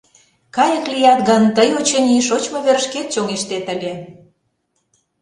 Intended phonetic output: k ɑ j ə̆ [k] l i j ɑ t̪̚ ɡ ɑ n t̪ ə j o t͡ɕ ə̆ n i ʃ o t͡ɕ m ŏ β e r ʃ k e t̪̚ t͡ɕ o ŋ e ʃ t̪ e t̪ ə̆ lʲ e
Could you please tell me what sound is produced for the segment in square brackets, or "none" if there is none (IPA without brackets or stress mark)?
k